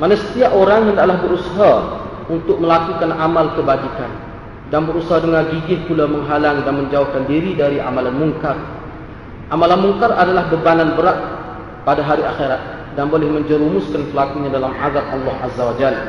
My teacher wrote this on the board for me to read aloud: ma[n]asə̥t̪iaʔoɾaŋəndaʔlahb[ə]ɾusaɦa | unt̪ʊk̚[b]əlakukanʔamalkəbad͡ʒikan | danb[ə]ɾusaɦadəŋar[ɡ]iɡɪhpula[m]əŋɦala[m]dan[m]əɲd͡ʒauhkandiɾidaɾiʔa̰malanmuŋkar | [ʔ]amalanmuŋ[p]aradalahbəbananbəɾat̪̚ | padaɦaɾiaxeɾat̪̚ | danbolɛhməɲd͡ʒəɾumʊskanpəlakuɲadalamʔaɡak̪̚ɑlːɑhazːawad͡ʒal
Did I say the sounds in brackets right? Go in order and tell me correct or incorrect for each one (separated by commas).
correct, correct, incorrect, correct, correct, correct, incorrect, correct, correct, incorrect